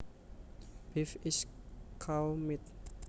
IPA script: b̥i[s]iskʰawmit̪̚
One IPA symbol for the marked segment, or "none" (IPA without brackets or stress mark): f